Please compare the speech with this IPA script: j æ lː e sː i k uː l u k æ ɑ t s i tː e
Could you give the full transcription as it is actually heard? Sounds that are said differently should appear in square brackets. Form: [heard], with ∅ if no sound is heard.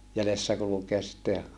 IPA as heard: j æ [l] e sː [æ] k [u] l u k [e] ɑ [s] s i tː e